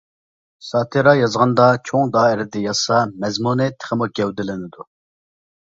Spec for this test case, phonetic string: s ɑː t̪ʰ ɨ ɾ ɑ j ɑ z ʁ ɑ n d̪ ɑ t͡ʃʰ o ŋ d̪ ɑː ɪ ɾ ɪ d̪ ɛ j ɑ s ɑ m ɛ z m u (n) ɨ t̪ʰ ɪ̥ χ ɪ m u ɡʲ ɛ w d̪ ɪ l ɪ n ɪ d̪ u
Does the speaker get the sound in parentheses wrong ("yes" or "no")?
no